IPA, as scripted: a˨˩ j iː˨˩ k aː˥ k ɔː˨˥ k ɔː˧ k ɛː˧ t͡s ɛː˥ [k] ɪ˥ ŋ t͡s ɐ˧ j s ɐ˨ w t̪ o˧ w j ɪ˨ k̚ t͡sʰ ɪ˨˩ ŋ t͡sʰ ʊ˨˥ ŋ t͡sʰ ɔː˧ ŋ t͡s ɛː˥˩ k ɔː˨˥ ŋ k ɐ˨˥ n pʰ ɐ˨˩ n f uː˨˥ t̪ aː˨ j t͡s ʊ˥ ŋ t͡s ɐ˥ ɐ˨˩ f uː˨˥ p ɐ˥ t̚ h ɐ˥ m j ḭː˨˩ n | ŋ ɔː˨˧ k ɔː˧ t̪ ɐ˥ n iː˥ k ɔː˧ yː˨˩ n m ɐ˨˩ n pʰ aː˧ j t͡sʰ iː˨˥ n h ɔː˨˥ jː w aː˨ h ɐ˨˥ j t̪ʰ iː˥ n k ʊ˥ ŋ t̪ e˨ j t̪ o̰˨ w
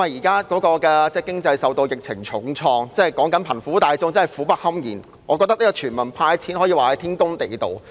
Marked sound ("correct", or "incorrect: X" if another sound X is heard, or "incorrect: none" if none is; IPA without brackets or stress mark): correct